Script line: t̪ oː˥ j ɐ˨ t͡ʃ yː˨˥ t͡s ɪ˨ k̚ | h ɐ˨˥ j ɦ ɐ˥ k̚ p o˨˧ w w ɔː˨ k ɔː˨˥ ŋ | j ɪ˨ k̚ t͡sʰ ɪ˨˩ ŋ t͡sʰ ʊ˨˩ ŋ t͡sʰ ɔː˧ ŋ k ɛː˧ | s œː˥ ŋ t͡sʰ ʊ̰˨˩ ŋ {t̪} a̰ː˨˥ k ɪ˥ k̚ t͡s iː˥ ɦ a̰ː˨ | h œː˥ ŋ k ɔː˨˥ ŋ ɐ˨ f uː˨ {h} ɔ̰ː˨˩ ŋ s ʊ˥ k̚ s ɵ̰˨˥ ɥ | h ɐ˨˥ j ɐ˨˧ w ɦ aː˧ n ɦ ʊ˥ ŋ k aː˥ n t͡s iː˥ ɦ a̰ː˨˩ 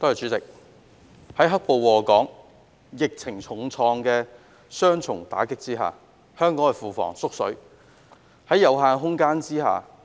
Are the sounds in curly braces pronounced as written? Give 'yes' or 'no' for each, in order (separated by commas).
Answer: yes, no